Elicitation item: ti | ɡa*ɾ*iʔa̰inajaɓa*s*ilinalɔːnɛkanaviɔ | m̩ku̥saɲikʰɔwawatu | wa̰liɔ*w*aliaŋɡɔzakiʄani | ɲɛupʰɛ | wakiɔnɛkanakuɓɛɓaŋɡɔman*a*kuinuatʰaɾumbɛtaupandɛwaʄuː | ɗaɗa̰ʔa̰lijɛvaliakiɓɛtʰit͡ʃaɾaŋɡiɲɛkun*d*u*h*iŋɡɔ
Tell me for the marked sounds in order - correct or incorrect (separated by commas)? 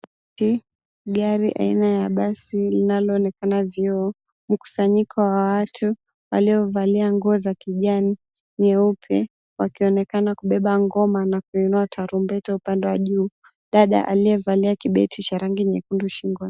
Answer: correct, correct, incorrect, correct, correct, incorrect